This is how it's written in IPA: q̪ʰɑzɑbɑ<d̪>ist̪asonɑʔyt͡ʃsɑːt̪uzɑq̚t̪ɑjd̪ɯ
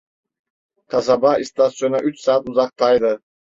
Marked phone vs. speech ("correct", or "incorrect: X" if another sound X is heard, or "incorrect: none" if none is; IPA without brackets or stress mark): incorrect: none